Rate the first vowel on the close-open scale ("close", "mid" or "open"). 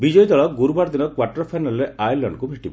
close